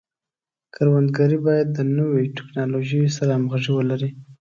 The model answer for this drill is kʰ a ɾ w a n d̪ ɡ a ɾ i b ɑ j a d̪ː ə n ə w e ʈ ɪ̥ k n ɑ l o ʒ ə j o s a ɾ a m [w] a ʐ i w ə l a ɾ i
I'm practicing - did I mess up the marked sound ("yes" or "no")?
yes